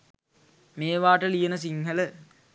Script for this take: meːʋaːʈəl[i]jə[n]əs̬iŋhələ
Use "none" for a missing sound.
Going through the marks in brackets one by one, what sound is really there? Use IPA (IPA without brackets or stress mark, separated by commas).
i, n